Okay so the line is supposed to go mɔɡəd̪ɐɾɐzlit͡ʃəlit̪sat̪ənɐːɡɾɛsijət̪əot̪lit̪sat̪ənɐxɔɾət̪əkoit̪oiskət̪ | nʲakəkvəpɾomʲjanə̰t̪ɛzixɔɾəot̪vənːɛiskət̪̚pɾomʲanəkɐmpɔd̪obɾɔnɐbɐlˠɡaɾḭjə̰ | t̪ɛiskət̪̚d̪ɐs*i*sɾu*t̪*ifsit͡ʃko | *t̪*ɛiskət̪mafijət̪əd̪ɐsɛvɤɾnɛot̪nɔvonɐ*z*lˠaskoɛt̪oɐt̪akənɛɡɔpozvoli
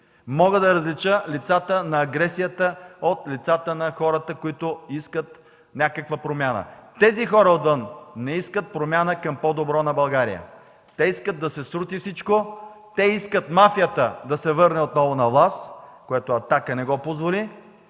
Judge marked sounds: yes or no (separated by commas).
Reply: no, yes, yes, no